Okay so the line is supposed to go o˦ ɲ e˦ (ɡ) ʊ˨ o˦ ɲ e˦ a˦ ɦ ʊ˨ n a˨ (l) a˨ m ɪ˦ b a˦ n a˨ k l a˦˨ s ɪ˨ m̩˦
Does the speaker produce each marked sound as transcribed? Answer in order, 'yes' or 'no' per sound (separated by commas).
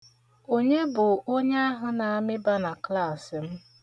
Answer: no, no